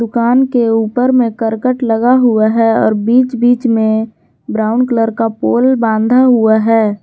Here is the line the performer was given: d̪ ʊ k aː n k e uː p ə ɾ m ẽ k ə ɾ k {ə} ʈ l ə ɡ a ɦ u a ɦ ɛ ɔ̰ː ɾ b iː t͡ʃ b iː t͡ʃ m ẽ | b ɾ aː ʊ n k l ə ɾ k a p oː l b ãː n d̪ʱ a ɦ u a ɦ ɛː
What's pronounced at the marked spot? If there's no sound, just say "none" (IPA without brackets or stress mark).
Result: ə